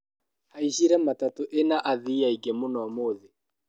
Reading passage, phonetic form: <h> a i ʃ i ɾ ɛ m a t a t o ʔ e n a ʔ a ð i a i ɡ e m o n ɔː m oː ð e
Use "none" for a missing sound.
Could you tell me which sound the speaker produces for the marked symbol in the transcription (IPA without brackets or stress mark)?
h